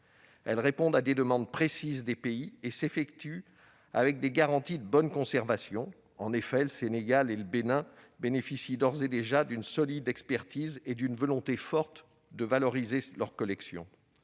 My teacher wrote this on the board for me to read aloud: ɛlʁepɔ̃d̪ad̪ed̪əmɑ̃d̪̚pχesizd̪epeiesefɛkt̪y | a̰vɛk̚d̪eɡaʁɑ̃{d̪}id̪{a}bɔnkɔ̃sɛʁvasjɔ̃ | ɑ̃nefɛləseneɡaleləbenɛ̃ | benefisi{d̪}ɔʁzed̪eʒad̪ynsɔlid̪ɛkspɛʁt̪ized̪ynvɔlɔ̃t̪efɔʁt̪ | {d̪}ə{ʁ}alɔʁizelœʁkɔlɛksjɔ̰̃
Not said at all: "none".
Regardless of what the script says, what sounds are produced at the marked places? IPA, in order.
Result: t̪, ə, d̪, d̪, v

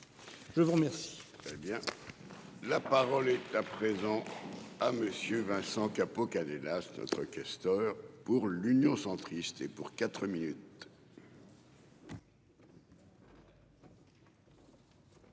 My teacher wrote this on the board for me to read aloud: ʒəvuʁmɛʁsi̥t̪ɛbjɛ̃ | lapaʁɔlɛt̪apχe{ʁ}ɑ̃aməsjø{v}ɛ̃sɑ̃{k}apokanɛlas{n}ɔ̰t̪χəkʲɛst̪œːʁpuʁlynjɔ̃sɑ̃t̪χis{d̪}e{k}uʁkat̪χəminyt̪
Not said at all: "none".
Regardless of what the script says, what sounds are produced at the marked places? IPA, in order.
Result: z, v, k, n, t̪, p

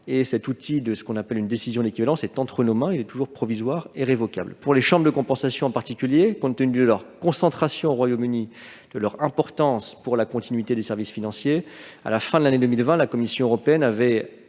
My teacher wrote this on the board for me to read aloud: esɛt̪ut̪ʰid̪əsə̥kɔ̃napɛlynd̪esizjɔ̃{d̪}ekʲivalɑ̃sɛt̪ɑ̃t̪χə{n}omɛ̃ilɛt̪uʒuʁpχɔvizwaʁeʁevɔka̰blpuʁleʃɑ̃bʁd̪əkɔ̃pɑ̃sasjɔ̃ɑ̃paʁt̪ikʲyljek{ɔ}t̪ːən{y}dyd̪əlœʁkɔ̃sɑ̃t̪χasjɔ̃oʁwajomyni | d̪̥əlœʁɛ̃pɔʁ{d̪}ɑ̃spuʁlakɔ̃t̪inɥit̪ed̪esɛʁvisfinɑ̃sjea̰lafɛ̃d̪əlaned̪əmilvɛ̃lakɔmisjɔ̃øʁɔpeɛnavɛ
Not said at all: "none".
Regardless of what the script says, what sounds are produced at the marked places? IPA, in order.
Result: d̪, n, ɔ̃, y, t̪

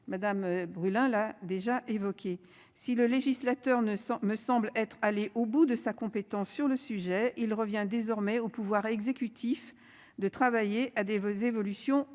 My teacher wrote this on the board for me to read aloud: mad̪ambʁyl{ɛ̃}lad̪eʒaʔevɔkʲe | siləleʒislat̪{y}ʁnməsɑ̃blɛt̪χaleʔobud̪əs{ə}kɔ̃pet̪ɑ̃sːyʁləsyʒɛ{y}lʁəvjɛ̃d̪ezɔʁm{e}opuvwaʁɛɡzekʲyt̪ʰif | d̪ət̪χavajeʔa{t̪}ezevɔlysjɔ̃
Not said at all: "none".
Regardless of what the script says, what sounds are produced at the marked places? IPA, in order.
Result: ɛ̃, œ, a, i, ɛ, d̪

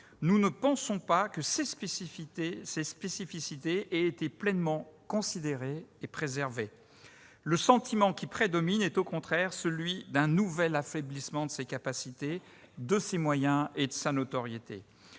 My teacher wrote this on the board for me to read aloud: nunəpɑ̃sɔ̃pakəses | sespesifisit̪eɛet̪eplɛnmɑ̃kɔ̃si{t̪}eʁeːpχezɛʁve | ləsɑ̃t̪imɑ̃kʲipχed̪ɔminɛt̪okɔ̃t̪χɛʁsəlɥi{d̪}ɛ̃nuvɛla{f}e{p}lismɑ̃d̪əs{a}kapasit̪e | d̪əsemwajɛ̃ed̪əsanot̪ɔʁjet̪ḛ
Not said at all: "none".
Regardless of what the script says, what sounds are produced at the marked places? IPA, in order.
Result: d̪, d̪, f, b, e

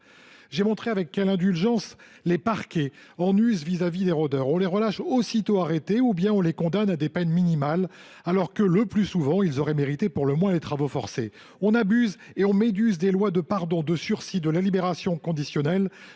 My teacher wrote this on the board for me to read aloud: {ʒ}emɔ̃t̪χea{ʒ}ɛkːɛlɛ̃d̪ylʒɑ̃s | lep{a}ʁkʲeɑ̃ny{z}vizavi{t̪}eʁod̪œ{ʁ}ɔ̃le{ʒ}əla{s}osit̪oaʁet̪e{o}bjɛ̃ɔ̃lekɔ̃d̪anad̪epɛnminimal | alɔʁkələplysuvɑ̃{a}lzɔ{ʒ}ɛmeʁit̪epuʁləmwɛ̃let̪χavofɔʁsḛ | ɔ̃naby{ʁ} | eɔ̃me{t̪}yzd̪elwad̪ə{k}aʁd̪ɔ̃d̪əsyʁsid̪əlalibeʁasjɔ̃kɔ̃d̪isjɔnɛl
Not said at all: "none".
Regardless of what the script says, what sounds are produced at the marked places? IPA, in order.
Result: ʒ, v, a, z, d̪, ʁ, ʁ, ʃ, u, i, ʁ, z, d̪, p

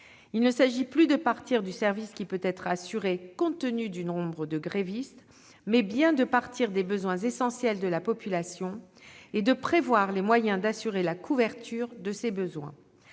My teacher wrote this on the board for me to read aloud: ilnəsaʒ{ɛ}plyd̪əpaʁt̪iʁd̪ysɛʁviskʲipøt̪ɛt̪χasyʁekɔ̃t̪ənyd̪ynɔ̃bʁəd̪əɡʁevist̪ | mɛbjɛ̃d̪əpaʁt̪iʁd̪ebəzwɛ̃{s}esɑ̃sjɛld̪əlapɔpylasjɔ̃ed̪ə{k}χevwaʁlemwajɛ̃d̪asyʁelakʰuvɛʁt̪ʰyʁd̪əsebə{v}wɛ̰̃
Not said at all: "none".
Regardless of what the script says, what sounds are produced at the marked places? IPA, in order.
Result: i, z, p, z

